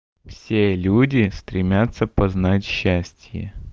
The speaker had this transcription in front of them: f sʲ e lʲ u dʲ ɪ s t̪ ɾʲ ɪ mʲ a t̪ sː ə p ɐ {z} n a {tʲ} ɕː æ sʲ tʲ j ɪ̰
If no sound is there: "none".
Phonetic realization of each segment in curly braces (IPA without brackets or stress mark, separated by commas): z, tʲ